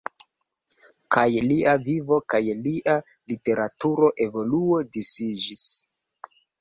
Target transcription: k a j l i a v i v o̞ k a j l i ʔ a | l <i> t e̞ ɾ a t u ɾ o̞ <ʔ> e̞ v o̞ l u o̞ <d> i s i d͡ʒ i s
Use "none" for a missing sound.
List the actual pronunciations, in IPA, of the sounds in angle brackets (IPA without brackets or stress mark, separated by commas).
i, ʔ, d